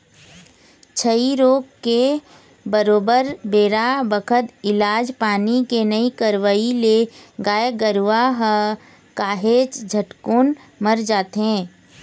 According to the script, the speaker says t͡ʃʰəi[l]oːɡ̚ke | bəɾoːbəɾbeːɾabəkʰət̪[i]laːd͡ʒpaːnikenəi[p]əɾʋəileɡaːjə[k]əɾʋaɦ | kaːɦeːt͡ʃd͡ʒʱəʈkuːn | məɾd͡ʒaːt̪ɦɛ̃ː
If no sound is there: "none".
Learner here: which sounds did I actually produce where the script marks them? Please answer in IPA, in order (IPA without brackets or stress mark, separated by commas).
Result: ɾ, ɪ, k, ɡ